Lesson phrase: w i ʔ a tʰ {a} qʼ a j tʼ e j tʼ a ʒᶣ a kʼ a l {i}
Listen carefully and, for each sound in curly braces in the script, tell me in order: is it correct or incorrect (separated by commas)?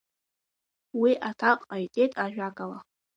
correct, incorrect